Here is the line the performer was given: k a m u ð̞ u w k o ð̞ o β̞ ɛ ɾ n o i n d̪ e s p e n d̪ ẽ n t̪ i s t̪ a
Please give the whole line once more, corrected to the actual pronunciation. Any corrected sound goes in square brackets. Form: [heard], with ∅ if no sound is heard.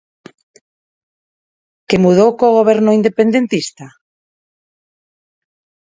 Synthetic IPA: k [e] m u ð̞ [o] w k o [ɣ̞] o β̞ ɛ ɾ n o i n d̪ e [∅] p e n d̪ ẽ n t̪ i s t̪ a